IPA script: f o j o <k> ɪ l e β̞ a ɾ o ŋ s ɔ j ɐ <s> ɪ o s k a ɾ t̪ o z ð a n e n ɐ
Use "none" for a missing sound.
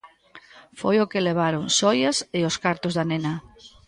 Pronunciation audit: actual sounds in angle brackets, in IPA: k, s

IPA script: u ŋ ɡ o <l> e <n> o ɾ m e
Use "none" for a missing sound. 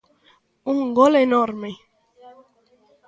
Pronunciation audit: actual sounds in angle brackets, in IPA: l, n

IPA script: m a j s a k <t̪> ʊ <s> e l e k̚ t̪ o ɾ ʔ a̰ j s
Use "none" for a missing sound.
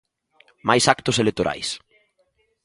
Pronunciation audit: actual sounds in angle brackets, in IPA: t̪, s

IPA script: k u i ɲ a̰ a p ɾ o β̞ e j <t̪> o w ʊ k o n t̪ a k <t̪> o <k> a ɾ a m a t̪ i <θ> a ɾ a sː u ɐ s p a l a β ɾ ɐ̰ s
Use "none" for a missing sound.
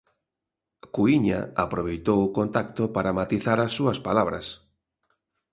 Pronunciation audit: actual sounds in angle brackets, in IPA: t̪, t̪, p, θ

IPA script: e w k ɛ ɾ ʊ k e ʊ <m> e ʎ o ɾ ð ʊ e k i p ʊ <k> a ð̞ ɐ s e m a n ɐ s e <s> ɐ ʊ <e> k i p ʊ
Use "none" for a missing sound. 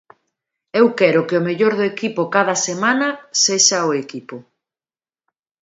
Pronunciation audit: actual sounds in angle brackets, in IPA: m, k, ʃ, e

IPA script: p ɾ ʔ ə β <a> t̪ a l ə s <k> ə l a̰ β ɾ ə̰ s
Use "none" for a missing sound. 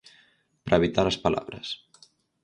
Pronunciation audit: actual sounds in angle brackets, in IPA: i, p

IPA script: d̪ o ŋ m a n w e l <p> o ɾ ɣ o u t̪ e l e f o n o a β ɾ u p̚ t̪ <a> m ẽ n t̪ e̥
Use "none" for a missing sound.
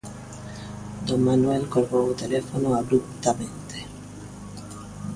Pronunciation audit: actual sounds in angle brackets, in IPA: k, a

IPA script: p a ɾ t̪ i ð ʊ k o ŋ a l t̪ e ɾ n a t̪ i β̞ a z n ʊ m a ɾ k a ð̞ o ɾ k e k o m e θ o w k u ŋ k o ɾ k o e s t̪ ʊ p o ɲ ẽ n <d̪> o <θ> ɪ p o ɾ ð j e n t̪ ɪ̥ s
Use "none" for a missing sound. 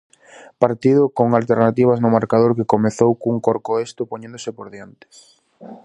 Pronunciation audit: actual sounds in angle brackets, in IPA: d̪, s

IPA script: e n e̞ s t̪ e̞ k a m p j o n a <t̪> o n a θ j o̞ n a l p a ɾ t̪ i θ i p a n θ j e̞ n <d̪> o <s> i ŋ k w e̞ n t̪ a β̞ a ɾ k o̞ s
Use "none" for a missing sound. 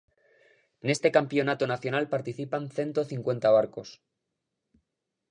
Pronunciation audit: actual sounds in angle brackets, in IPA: t̪, t̪, θ

